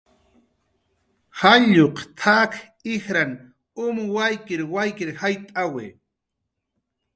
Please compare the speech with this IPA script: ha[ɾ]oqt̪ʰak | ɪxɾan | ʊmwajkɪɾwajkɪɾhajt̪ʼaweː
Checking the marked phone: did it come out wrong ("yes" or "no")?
yes